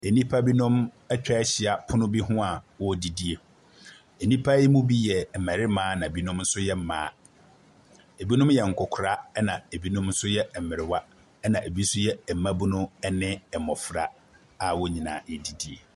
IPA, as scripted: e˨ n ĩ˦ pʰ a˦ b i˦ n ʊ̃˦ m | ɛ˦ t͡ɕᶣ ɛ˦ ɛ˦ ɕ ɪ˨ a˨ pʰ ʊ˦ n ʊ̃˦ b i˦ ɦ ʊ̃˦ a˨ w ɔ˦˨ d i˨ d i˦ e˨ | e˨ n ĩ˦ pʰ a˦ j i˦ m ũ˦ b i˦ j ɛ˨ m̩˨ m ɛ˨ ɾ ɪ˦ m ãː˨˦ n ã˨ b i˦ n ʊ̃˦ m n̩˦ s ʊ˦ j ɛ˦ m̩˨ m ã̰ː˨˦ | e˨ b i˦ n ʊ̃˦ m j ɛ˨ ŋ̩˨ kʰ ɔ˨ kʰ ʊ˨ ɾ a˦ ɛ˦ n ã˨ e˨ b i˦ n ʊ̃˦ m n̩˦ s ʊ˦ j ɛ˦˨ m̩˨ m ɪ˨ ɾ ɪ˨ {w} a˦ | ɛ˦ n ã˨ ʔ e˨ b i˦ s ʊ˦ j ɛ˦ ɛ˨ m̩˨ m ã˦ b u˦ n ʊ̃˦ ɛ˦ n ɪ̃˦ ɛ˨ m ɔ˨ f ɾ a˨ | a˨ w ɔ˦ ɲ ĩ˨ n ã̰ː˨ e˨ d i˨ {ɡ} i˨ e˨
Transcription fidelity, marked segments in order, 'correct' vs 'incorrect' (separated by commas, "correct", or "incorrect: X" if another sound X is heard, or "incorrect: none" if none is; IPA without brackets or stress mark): correct, incorrect: d